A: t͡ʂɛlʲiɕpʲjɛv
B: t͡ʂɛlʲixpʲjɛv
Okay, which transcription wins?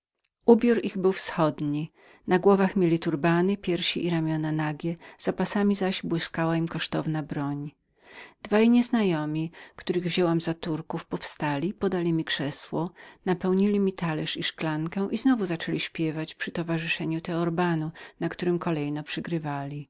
A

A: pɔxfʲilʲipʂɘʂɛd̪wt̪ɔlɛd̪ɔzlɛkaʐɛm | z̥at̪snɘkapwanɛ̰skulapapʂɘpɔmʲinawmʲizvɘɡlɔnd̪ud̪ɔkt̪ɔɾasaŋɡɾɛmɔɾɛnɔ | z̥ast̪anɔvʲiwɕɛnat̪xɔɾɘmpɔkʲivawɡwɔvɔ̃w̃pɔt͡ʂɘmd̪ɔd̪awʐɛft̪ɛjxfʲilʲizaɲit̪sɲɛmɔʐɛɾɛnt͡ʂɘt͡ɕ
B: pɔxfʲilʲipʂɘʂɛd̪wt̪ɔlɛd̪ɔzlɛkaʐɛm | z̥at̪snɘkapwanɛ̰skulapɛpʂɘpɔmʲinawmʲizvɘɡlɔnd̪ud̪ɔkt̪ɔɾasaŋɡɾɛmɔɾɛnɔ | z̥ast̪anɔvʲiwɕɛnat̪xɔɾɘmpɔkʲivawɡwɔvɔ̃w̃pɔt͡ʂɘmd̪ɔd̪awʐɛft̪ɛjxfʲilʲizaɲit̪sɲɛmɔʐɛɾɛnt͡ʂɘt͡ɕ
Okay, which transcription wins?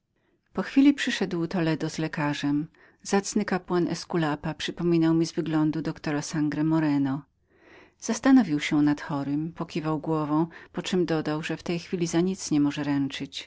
A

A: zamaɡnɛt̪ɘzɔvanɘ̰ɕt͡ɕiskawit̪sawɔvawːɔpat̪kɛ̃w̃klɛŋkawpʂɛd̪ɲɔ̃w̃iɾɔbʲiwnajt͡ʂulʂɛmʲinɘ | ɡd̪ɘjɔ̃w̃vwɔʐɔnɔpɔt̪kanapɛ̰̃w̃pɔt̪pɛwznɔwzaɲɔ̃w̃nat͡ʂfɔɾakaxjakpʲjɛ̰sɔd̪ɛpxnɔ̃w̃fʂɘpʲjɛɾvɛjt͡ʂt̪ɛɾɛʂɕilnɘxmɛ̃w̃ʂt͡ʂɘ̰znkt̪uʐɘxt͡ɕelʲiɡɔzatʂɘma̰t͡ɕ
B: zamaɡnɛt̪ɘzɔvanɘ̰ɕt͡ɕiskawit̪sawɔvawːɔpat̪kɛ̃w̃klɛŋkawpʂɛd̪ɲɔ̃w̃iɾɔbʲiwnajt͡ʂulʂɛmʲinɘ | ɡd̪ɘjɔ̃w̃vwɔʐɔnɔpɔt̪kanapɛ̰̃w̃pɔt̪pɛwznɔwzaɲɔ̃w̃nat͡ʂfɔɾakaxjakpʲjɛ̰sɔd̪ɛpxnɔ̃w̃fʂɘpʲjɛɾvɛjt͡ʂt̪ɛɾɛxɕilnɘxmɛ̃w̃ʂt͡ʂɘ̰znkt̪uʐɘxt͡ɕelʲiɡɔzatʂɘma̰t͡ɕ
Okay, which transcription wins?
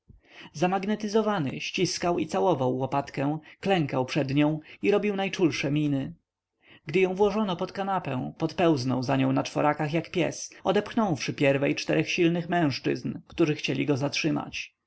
B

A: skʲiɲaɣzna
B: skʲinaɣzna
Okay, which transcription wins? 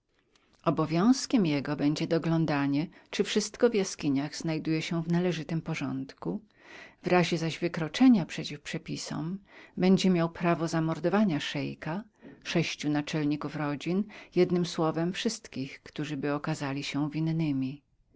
A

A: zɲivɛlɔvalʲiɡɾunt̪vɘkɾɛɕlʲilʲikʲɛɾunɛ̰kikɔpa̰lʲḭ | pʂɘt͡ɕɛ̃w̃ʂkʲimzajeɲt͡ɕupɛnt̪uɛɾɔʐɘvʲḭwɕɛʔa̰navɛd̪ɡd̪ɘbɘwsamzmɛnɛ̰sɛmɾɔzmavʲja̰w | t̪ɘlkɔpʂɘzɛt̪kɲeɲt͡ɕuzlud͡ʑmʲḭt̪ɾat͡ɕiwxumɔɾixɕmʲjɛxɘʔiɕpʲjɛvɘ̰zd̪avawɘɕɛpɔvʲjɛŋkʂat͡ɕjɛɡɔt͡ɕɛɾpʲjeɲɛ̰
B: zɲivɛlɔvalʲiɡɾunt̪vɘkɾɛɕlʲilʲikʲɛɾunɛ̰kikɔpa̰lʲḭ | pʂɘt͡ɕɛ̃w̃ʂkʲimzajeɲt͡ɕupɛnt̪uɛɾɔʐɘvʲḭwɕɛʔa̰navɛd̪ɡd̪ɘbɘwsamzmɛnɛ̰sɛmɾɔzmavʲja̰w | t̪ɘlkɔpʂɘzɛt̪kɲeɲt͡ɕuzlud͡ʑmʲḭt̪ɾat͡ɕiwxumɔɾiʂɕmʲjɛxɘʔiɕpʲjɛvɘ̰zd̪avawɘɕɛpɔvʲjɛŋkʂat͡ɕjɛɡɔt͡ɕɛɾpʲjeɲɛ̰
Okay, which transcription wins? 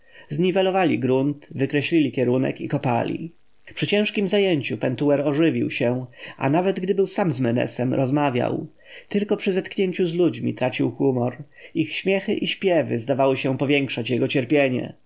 A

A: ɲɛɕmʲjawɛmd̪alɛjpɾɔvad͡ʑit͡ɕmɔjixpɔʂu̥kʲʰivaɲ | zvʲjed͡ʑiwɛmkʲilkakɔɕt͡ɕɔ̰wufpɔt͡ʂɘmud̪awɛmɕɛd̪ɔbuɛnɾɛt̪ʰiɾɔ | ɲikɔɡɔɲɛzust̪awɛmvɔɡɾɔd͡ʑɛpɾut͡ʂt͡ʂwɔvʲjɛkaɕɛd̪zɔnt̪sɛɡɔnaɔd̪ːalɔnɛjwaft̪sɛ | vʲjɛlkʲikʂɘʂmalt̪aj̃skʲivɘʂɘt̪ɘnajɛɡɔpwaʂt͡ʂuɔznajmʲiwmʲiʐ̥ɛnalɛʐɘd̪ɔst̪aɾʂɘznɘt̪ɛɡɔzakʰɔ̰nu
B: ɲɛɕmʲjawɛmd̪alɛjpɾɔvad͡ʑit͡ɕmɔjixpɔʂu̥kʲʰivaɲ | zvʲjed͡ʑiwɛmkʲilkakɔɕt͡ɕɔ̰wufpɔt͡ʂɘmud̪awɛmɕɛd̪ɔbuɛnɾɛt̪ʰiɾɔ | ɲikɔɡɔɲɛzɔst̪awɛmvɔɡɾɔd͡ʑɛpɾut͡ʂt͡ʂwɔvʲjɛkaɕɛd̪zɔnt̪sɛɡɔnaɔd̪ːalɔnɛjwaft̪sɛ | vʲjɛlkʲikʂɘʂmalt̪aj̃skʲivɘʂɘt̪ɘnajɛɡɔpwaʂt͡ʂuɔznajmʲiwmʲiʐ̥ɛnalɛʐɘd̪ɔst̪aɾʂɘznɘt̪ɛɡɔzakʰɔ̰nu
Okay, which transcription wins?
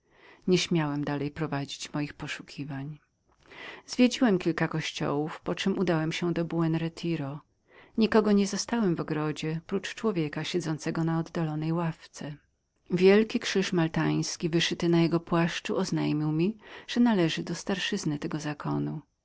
B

